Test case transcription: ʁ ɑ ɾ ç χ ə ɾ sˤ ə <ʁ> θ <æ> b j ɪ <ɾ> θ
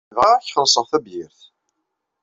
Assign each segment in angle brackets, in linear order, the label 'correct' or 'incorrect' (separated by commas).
correct, correct, correct